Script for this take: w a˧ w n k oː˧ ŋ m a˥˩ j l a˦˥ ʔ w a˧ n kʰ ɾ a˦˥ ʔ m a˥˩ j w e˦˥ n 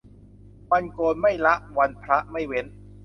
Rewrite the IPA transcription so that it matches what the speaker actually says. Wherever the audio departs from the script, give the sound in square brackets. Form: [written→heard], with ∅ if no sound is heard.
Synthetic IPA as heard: w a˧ [w→∅] n k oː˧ [ŋ→n] m a˥˩ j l a˦˥ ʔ w a˧ n [kʰ→pʰ] ɾ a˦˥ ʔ m a˥˩ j w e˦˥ n